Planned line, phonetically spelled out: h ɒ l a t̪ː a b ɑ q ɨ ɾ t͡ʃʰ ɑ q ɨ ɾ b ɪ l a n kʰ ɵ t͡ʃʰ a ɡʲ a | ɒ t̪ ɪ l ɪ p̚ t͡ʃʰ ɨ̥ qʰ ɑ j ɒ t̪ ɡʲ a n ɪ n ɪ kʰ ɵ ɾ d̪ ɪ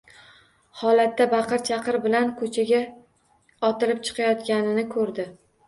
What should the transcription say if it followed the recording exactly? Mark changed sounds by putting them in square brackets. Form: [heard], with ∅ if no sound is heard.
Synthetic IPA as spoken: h ɒ l a t̪ː a b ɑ q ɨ ɾ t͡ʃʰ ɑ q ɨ ɾ b ɪ l a n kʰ ɵ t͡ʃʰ a ɡʲ a | ɒ t̪ ɪ l ɪ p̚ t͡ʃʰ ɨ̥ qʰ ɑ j ɒ t̪ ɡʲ a n ɪ n ɪ kʰ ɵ ɾ d̪ ɪ